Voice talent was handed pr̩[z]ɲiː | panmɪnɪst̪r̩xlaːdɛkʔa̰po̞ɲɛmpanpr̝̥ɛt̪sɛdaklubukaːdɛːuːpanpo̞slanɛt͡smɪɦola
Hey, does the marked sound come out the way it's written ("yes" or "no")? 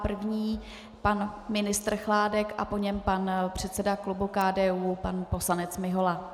no